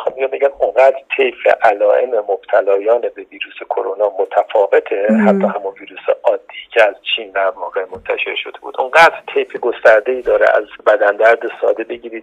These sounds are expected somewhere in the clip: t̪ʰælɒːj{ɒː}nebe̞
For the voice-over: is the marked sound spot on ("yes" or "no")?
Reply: yes